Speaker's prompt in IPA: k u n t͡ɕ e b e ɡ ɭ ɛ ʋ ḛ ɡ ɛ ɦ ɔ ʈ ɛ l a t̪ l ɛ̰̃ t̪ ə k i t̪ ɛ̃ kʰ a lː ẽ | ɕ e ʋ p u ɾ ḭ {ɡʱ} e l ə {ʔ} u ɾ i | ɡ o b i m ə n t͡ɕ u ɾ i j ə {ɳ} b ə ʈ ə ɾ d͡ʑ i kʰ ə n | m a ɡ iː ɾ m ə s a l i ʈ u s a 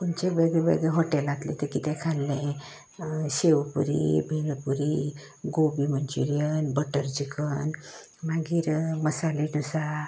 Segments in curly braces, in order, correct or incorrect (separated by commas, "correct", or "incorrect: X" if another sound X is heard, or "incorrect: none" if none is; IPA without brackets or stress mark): incorrect: bʱ, incorrect: p, incorrect: n